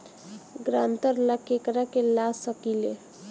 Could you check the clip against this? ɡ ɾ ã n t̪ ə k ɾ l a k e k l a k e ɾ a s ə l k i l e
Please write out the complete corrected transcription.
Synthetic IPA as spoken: ɡ ɾ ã n t̪ ə ɾ l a k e k ɾ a k e l a s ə k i l e